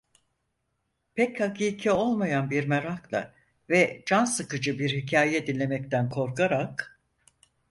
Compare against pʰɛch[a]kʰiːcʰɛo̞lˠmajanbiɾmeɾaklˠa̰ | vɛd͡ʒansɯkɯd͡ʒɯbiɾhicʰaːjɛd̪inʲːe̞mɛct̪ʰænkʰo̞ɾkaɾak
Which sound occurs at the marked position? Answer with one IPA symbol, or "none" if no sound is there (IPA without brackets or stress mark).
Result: a